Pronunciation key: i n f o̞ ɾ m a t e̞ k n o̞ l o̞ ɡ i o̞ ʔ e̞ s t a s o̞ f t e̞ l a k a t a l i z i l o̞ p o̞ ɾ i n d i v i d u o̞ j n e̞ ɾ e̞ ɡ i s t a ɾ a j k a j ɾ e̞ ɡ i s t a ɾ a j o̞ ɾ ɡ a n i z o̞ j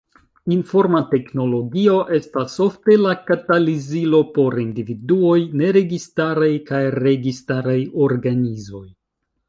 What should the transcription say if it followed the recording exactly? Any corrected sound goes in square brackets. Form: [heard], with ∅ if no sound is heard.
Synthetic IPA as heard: i n f o̞ ɾ m a t e̞ k n o̞ l o̞ ɡ i o̞ ʔ e̞ s t a s o̞ f t e̞ l a k a t a l i z i l o̞ p o̞ ɾ i n d i v i d u o̞ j n e̞ ɾ e̞ ɡ i s t a ɾ a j k a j ɾ e̞ ɡ i s t a ɾ a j o̞ ɾ ɡ a n i z o̞ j